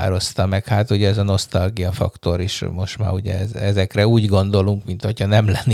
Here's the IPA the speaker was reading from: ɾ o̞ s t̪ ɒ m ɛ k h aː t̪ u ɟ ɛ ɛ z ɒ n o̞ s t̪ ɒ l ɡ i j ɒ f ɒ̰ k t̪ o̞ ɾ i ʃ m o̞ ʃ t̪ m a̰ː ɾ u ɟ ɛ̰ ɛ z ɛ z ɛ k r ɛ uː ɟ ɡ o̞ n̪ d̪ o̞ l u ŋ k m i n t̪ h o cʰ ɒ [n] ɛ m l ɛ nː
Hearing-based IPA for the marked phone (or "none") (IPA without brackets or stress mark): n